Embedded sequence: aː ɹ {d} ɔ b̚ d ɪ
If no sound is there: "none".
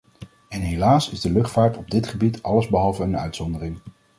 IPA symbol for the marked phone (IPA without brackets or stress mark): t